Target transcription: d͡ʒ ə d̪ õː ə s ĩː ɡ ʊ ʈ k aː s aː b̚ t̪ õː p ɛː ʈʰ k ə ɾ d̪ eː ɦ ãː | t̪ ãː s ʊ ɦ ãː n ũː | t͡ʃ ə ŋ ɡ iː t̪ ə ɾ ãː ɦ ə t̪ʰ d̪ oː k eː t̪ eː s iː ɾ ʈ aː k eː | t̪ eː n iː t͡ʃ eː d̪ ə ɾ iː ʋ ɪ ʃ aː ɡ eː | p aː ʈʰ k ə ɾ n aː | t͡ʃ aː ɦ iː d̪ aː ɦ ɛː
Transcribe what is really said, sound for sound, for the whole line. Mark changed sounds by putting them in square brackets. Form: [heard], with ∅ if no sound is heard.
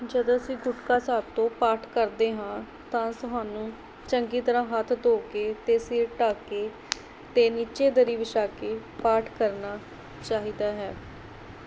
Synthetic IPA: d͡ʒ ə d̪ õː ə s ĩː ɡ ʊ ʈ k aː s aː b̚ t̪ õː p [aː] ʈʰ k ə ɾ d̪ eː ɦ ãː | t̪ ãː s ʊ ɦ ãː n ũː | t͡ʃ ə ŋ ɡ iː t̪ ə ɾ ãː ɦ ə t̪ʰ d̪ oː k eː t̪ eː s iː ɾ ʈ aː k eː | t̪ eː n iː t͡ʃ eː d̪ ə ɾ iː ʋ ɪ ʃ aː [k] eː | p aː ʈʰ k ə ɾ n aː | t͡ʃ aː ɦ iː d̪ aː ɦ ɛː